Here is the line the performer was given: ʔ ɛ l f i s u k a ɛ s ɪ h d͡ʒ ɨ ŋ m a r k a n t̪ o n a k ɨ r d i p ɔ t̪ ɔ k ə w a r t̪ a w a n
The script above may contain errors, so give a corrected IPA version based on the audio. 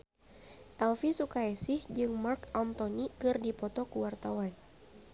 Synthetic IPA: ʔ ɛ l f i s u k a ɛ s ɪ h d͡ʒ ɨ ŋ m a r k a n t̪ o n i k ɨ r d i p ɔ t̪ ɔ k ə w a r t̪ a w a n